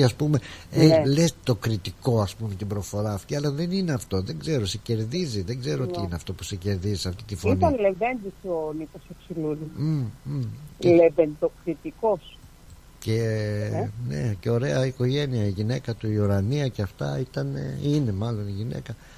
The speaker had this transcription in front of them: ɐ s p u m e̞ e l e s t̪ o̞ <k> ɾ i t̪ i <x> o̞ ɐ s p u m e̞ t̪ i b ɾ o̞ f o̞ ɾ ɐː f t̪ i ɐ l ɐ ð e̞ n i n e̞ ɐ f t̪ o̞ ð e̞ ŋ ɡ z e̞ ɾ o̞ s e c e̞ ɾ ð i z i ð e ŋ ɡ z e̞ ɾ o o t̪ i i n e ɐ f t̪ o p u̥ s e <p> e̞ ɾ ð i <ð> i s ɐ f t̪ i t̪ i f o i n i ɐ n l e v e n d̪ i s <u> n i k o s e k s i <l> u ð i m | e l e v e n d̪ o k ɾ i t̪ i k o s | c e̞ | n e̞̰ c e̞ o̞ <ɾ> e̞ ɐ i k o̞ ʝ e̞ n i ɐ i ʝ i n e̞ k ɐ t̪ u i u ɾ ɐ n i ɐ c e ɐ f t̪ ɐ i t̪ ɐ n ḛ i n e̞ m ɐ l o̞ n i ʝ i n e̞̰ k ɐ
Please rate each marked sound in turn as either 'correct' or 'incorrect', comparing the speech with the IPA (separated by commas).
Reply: correct, incorrect, incorrect, incorrect, incorrect, correct, correct